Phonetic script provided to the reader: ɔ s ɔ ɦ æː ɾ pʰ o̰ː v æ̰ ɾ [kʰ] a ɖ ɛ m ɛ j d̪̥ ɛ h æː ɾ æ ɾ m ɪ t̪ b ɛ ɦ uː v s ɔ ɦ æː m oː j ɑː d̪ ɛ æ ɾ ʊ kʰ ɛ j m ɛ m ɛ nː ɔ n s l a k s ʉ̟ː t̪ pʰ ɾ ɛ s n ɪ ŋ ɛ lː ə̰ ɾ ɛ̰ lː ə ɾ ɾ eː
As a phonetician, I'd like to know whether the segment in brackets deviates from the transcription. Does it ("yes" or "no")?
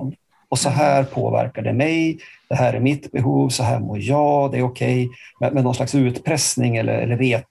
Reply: yes